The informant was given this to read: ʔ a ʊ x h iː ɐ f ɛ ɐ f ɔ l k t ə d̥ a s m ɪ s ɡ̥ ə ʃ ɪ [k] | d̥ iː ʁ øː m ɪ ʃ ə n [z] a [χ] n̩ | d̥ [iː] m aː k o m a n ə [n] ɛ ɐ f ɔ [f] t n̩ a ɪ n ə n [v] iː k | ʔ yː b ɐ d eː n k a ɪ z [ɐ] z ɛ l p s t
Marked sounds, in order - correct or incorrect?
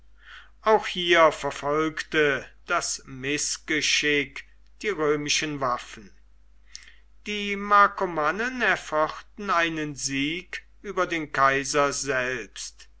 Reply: correct, incorrect: v, incorrect: f, correct, correct, incorrect: χ, incorrect: z, correct

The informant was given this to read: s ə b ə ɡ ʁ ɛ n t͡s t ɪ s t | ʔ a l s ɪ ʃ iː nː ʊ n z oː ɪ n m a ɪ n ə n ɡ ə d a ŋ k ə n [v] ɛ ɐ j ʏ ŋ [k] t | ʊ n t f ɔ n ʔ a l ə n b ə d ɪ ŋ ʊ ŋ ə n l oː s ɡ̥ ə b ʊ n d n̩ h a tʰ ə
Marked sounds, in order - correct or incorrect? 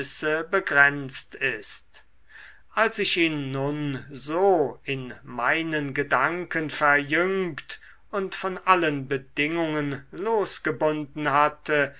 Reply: incorrect: f, correct

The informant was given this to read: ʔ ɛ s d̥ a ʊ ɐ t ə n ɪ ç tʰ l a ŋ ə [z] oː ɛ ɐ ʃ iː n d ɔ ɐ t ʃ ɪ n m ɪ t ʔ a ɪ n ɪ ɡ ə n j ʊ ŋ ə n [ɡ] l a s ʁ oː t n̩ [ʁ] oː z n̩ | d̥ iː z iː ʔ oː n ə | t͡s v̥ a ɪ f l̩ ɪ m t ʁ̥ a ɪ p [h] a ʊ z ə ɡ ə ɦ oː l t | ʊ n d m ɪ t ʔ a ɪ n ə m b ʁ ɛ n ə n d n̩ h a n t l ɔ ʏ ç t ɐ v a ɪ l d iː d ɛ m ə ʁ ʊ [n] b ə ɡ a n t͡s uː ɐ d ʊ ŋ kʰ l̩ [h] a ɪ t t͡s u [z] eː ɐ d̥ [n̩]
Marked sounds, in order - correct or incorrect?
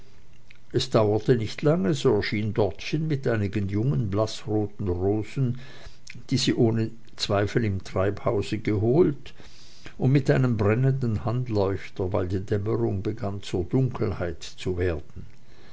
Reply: correct, incorrect: b, correct, correct, incorrect: ŋ, correct, incorrect: v, correct

